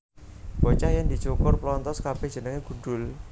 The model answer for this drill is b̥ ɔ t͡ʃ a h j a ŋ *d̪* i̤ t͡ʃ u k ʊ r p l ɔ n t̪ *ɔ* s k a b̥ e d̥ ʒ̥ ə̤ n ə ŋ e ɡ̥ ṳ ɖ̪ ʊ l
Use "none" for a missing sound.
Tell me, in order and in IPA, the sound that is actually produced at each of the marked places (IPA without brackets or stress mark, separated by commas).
d̪, ɔ